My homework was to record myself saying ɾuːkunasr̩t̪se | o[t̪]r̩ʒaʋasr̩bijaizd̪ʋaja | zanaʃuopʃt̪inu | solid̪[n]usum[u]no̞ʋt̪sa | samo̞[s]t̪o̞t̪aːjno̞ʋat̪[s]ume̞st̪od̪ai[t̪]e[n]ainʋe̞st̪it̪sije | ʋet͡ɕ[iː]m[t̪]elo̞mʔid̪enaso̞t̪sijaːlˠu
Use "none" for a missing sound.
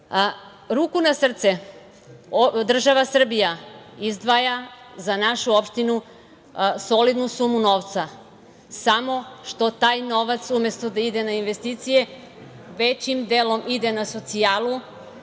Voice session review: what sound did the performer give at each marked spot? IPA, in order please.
d̪, n, u, ʃ, s, d̪, n, i, d̪

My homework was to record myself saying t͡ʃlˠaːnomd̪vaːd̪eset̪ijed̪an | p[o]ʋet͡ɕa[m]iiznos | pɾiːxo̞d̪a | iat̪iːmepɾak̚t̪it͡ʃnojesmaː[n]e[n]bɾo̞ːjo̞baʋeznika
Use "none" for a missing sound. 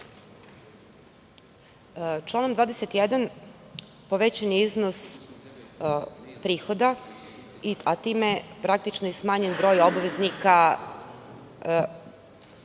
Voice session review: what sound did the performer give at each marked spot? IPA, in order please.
o, n, ɲ, n

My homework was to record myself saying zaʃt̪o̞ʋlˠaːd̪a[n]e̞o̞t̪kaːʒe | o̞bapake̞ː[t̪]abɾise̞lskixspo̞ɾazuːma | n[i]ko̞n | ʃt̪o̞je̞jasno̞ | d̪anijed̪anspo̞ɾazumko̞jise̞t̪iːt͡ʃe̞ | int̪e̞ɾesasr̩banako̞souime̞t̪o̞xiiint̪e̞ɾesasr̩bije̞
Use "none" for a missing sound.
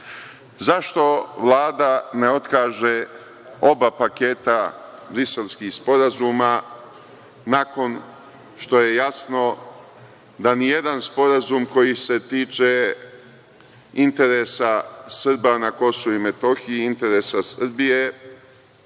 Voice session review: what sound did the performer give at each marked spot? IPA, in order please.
n, t̪, a

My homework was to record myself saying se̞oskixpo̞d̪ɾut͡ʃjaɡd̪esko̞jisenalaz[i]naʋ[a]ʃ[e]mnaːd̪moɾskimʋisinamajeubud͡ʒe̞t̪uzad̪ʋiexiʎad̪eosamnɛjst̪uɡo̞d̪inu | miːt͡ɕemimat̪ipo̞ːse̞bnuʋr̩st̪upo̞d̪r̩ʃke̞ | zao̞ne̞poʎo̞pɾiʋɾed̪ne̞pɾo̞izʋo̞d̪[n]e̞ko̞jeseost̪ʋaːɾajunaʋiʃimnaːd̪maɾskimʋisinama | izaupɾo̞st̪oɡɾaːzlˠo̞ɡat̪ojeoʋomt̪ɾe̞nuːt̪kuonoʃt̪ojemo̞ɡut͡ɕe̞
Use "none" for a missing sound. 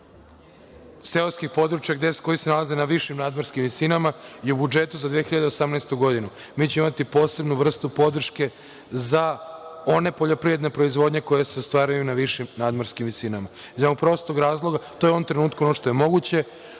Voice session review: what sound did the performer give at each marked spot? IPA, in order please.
e, i, i, ɲ

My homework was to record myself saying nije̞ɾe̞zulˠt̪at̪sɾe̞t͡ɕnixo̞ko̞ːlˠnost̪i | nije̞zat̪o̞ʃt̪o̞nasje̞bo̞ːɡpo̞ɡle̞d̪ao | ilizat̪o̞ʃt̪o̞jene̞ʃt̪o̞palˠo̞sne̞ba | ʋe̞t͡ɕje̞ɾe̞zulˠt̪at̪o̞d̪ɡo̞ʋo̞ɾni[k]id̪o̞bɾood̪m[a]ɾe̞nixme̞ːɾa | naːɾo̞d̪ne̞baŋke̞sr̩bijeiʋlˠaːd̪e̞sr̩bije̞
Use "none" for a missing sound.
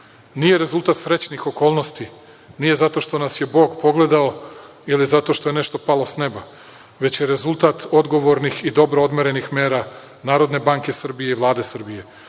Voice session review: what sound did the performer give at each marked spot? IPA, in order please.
x, e

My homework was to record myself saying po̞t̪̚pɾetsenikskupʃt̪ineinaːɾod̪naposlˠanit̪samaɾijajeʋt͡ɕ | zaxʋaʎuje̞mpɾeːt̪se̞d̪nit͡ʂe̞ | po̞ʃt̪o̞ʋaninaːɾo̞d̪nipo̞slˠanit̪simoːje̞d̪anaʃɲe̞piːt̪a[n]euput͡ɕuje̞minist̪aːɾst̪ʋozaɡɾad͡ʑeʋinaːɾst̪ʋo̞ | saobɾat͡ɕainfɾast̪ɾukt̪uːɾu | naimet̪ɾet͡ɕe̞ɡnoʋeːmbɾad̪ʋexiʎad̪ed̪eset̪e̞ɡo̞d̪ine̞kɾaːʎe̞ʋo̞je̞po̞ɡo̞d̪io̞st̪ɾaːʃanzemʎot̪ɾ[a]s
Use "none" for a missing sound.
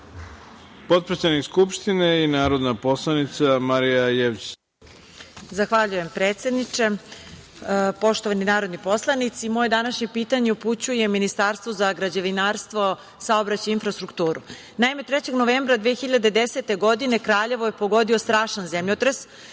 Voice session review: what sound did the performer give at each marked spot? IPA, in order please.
ɲ, e

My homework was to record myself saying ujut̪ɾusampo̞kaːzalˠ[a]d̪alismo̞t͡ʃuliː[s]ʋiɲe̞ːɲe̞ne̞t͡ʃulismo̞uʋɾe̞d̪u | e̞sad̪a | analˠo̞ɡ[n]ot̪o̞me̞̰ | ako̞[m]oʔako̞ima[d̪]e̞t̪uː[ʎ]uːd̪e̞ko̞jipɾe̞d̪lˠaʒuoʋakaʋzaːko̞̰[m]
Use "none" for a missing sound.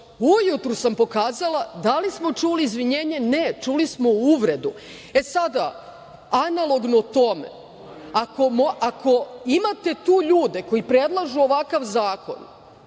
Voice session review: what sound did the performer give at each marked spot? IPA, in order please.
a, z, n, m, t̪, ʎ, n

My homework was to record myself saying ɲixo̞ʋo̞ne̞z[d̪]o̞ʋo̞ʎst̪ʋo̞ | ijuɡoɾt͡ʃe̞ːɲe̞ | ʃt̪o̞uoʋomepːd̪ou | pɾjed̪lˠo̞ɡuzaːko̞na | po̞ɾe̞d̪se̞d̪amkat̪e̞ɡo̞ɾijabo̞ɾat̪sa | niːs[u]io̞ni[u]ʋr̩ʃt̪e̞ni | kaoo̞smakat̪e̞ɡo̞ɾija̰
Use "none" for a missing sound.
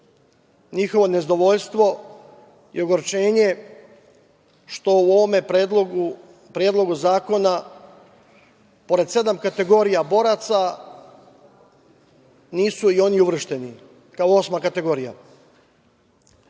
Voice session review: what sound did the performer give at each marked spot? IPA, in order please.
d̪, u, u

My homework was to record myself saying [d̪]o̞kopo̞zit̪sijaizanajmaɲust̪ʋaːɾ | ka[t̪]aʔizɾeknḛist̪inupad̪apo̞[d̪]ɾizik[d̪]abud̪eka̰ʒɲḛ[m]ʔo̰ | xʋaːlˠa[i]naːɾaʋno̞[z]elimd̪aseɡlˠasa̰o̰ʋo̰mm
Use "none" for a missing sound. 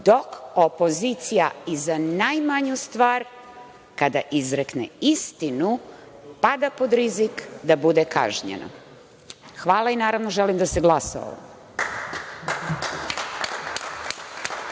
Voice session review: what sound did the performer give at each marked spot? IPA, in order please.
d̪, d̪, d̪, d̪, n, i, ʒ

